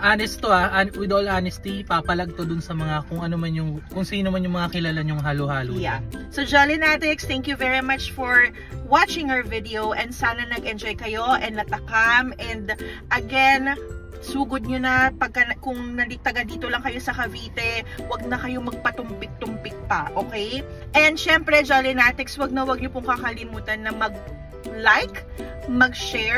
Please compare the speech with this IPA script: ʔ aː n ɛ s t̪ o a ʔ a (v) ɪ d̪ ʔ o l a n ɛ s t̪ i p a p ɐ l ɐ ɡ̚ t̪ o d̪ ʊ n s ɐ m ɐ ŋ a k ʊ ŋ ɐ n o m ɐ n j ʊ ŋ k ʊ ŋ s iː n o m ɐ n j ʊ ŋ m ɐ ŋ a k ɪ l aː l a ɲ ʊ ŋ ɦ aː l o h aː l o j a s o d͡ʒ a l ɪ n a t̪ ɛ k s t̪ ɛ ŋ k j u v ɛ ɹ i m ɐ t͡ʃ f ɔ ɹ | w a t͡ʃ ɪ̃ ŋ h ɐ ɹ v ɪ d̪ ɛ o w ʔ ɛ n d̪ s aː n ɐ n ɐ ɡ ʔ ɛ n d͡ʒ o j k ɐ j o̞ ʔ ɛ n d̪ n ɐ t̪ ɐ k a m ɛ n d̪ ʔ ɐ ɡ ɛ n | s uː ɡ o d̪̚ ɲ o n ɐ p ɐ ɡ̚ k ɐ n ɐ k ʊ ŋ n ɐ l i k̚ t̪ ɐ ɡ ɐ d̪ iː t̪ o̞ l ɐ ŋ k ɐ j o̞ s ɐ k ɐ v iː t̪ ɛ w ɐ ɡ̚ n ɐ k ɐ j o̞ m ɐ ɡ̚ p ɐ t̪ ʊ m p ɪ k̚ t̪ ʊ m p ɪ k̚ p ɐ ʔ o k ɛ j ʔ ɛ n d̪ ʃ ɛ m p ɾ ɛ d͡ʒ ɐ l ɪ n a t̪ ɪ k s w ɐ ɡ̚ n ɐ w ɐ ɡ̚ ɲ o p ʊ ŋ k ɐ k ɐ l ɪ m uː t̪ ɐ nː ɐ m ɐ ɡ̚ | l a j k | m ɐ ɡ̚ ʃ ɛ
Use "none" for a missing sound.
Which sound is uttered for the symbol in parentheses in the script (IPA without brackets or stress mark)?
w